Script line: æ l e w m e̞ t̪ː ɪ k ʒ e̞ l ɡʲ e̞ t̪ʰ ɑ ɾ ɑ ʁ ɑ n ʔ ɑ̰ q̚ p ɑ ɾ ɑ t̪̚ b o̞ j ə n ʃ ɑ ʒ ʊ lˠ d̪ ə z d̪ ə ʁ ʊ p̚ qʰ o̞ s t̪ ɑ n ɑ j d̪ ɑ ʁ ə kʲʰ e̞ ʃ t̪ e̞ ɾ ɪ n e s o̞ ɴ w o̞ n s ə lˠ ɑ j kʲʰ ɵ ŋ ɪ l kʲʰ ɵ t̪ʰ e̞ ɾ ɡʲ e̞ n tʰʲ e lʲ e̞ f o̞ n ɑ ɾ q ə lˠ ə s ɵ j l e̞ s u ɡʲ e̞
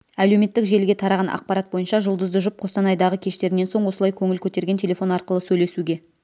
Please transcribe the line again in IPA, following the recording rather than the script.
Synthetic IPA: æ l e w m e̞ t̪ː ɪ k ʒ e̞ l ɡʲ e̞ t̪ʰ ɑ ɾ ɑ ʁ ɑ n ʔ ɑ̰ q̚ p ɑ ɾ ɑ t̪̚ b o̞ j ə n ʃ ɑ ʒ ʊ lˠ d̪ ə z d̪ ə ʒ ʊ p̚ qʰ o̞ s t̪ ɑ n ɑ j d̪ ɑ ʁ ə kʲʰ e̞ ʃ t̪ e̞ ɾ ɪ n e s o̞ ɴ w o̞ s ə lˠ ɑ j kʲʰ ɵ ŋ ɪ l kʲʰ ɵ t̪ e̞ ɾ ɡʲ e̞ n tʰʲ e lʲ e̞ f o̞ n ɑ ɾ q ə lˠ ə s ɵ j l e̞ s u ɡʲ e̞